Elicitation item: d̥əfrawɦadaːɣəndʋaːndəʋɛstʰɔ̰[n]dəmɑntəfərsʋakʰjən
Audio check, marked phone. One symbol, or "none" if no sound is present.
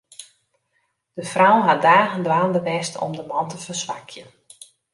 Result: m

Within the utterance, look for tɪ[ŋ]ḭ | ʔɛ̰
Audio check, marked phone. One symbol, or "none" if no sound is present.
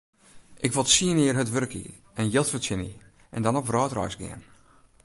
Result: n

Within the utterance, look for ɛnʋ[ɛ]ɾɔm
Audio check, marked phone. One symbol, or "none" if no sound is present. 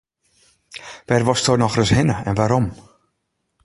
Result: a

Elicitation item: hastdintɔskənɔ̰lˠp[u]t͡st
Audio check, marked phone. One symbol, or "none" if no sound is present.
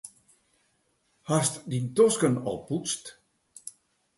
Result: u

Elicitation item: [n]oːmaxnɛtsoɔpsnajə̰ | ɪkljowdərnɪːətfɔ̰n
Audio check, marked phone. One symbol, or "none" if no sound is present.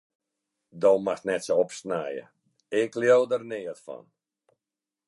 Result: d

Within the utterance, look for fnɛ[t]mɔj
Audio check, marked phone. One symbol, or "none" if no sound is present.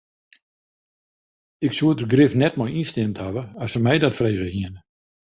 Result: t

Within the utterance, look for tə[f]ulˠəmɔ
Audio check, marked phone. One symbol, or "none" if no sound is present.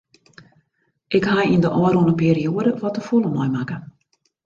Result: f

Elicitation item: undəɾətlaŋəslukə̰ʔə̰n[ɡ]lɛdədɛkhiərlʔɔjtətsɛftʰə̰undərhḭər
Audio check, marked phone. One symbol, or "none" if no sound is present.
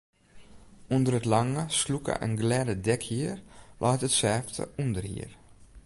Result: ɡ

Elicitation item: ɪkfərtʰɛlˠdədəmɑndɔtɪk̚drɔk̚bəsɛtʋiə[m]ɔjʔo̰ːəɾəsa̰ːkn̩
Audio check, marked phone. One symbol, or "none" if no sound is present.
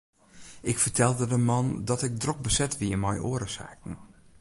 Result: m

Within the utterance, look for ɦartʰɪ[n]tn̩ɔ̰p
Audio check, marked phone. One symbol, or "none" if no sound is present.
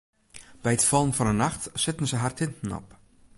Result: n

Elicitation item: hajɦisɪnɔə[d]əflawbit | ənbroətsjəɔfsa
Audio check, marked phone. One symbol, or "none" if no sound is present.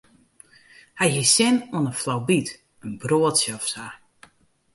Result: n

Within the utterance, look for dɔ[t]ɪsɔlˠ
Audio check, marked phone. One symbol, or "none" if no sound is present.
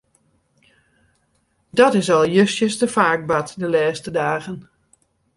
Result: t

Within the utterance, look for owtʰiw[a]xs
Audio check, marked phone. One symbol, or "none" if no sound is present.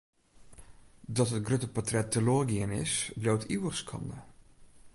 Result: ə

